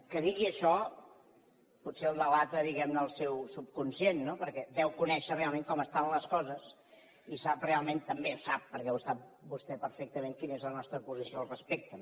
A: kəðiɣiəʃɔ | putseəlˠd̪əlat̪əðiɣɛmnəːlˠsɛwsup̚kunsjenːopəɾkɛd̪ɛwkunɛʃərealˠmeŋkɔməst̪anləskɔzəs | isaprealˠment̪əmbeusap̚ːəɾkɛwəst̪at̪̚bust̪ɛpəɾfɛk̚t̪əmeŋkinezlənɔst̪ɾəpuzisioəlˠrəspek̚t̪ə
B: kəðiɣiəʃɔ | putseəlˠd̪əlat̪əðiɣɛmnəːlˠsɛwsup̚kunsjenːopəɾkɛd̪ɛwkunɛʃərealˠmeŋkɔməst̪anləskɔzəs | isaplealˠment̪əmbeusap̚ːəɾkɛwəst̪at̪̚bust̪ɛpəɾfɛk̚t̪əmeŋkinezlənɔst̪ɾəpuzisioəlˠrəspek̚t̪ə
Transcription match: A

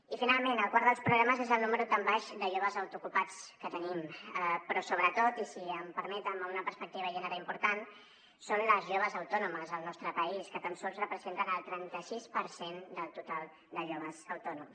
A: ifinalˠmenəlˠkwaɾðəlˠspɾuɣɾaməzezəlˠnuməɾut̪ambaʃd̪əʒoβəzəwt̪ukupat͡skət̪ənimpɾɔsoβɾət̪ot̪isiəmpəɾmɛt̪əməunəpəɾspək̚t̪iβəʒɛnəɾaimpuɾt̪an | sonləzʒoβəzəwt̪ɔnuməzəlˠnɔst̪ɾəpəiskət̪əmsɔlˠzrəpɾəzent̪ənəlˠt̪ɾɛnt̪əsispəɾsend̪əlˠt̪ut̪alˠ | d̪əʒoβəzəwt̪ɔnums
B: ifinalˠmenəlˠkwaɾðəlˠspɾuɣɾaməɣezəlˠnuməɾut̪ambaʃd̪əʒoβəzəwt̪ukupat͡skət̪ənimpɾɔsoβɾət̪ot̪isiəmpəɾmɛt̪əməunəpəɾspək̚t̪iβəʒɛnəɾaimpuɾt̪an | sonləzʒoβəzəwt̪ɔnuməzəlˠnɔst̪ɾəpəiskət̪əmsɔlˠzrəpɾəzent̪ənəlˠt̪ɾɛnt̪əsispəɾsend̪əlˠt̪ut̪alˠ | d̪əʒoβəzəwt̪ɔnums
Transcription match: A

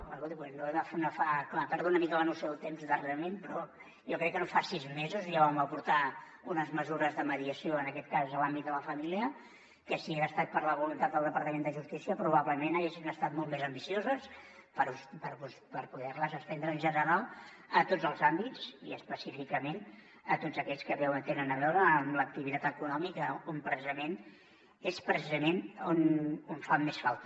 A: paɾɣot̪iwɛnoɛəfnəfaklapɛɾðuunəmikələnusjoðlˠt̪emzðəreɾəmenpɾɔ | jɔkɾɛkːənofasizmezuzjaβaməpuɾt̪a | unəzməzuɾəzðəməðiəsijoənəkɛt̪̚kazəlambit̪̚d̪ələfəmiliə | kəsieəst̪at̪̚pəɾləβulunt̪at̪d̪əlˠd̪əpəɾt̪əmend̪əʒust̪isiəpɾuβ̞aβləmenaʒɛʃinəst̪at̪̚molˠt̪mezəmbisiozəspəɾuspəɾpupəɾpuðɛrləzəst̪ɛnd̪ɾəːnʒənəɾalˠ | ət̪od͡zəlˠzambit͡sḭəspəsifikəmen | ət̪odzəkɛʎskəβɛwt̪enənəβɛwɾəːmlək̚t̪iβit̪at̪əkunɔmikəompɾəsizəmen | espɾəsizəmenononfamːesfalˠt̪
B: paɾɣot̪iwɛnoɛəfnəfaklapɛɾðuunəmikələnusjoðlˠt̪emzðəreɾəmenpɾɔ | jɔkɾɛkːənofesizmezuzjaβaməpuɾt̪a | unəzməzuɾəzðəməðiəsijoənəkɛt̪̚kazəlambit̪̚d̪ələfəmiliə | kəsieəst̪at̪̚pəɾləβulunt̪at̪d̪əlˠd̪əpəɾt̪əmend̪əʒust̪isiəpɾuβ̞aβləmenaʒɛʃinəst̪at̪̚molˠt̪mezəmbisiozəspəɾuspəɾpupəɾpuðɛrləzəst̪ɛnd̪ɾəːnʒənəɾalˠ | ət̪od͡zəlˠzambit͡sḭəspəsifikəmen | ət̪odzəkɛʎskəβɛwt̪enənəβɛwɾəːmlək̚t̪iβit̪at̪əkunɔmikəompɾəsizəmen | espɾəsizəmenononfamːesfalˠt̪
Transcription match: A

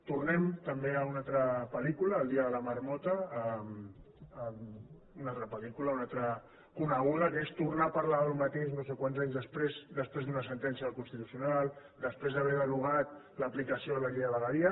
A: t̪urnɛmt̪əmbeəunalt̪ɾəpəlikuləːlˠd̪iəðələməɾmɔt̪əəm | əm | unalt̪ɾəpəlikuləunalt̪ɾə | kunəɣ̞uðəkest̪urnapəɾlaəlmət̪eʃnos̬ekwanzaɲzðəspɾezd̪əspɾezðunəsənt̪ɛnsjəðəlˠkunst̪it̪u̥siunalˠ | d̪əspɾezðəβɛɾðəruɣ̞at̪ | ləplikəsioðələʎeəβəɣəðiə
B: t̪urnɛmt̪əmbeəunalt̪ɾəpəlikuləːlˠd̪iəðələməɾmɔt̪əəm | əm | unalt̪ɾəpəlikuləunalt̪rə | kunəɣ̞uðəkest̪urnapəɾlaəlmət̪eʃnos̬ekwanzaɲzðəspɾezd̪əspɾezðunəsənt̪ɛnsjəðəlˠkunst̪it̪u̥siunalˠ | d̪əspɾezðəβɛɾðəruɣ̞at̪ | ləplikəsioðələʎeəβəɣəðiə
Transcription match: A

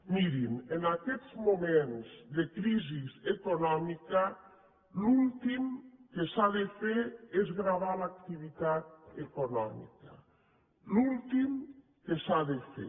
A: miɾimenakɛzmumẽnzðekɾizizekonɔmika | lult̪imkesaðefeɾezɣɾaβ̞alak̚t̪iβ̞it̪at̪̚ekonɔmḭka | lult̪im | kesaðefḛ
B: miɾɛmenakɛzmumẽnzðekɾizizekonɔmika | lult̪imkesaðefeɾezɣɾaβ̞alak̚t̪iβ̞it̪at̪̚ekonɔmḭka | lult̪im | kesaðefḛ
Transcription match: A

